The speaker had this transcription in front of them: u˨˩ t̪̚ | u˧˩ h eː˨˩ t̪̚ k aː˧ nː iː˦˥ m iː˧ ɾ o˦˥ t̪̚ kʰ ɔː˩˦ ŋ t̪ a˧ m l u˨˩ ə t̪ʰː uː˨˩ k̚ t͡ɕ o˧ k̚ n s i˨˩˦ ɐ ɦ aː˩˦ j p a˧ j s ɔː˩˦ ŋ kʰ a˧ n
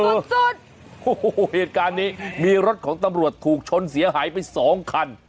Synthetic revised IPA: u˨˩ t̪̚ | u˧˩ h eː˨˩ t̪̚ k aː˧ nː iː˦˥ m iː˧ ɾ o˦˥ t̪̚ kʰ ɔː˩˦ ŋ t̪ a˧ m ɾ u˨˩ ə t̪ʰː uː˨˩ k̚ t͡ɕʰ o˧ n s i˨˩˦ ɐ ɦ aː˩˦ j p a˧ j s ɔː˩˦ ŋ kʰ a˧ n